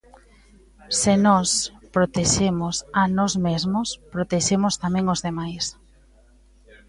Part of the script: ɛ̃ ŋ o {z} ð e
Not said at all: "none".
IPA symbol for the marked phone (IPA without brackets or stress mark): z